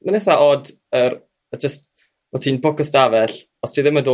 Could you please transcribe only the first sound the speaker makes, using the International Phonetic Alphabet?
m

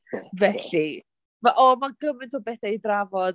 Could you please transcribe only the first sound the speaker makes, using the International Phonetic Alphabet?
v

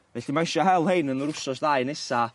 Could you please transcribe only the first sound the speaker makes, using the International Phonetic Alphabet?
v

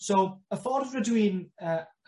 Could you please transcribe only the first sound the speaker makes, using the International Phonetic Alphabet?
s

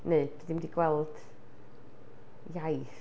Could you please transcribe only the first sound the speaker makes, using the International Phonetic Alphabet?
n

